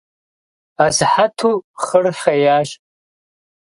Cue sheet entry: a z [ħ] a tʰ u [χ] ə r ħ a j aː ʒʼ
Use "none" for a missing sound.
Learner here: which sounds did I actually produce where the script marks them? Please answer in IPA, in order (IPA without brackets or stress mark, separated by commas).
ħ, χ